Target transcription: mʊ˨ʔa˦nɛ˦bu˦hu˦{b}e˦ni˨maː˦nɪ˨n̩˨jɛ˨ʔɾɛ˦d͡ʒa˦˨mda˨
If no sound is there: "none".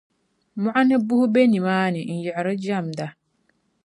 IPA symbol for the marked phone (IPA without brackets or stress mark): b